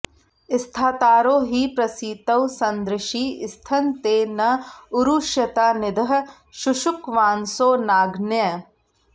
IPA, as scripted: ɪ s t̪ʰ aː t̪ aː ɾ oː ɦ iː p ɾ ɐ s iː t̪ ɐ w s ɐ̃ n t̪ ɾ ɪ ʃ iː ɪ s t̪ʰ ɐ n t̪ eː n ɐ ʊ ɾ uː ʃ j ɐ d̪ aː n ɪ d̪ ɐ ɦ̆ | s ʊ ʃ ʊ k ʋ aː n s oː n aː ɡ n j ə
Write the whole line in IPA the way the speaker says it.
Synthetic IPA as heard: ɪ s t̪ʰ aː t̪ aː ɾ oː ɦ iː p ɾ ɐ s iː t̪ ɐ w s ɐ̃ n d̪ ɾ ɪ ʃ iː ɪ s t̪ʰ ɐ n t̪ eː n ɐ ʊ ɾ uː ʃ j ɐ t̪ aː n ɪ d̪ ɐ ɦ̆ | ʃ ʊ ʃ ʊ k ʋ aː n s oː n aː ɡ n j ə